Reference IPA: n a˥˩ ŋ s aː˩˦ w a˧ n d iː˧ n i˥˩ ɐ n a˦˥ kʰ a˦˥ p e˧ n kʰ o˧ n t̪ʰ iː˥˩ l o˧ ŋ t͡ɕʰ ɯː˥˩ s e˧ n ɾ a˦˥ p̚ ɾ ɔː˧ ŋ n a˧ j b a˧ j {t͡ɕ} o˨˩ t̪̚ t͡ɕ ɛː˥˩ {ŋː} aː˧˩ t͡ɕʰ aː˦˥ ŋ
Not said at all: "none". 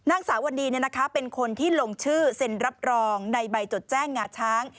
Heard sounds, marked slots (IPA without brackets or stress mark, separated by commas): t͡ɕ, ŋː